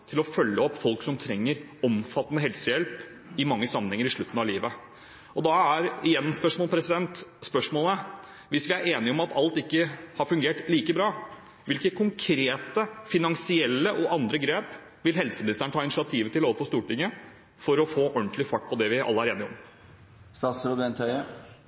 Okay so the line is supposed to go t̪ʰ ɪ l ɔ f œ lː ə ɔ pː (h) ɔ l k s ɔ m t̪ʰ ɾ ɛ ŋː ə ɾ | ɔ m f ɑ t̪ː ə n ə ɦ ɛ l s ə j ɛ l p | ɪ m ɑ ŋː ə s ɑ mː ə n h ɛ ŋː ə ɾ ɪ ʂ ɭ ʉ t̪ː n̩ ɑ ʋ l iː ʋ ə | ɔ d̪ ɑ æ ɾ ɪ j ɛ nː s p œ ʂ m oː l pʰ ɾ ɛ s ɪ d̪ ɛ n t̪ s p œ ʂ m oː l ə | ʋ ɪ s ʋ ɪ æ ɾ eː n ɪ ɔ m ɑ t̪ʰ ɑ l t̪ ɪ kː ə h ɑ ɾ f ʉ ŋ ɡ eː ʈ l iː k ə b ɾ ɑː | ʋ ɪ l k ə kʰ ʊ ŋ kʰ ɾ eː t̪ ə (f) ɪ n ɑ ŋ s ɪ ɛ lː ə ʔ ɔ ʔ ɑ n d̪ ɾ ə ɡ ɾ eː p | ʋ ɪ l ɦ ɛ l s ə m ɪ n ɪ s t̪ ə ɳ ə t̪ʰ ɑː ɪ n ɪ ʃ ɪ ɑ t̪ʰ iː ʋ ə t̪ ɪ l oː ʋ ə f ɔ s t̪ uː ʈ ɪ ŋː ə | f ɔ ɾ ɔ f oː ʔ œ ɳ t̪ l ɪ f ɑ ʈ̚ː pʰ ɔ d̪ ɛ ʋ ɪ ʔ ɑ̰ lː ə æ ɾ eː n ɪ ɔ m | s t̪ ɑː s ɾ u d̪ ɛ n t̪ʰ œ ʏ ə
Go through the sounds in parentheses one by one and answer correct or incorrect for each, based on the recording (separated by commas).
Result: incorrect, correct